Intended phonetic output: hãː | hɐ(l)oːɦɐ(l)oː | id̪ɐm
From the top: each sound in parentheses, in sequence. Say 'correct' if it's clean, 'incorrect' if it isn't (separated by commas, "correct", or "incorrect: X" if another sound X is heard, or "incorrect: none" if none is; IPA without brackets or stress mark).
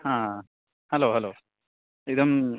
correct, correct